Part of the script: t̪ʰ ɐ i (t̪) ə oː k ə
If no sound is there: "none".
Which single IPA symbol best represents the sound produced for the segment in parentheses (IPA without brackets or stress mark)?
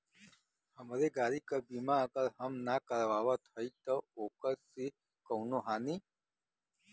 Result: t̪